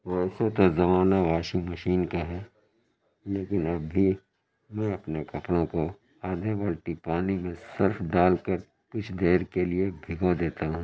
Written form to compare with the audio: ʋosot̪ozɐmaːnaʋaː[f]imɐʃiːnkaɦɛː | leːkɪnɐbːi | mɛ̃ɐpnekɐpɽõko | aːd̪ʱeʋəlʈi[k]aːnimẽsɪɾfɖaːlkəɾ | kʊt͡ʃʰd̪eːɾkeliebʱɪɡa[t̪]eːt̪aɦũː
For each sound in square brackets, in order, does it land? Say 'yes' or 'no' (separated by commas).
no, no, no